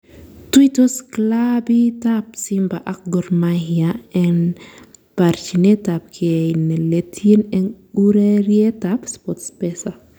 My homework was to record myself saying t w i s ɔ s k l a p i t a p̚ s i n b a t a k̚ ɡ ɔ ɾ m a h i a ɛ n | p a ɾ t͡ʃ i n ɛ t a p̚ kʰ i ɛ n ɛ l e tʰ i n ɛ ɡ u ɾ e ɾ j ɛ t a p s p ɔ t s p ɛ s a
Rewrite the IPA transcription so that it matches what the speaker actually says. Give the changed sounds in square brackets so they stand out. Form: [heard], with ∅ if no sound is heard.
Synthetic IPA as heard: t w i [t] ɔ s k l a [b] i t a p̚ s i [m] b a [ʔ] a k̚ ɡ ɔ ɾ m a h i a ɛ n | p a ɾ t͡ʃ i n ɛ t a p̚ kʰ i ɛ n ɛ l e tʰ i n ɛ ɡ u ɾ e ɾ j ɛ t a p s p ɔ t s p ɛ s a

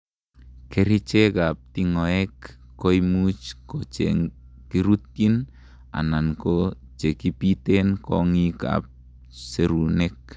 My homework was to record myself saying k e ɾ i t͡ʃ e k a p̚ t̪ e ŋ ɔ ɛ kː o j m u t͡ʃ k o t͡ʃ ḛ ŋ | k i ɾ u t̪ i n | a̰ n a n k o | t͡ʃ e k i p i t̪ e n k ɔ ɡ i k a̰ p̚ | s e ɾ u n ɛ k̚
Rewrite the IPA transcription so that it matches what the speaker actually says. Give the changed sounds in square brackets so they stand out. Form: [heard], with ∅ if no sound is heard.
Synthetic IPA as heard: k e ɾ i t͡ʃ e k a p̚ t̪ [i] ŋ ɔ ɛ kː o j m u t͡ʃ k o t͡ʃ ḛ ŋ | k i ɾ u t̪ i n | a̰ n a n k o | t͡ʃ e k i p i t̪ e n k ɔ [ŋ] i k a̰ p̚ | s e ɾ u n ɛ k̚

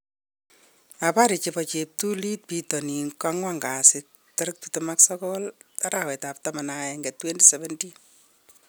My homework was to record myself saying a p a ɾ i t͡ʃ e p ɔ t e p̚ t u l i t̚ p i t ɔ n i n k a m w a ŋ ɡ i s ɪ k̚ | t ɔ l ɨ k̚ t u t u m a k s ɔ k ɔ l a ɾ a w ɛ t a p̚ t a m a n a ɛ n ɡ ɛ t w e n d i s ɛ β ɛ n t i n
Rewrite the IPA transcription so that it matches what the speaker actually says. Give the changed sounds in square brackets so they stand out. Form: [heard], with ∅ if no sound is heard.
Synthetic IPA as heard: a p a ɾ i t͡ʃ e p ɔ [t͡ʃ] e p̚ t u l i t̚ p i t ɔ n i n k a [ŋ] w a ŋ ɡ [a] s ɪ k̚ | t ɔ [ɾ] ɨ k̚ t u t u m a k s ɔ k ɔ l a ɾ a w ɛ t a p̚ t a m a n a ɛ [ŋ] ɡ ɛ t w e n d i s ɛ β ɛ n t i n

